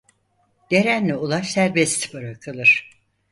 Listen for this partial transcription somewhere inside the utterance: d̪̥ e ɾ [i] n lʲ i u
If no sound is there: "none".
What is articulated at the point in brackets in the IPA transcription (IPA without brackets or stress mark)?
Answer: æ